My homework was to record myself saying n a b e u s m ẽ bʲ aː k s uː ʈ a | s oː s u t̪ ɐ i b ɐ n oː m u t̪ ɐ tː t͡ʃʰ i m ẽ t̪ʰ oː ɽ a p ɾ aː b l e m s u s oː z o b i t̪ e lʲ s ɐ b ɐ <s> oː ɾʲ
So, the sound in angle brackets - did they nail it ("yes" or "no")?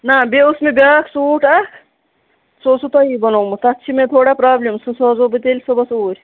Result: yes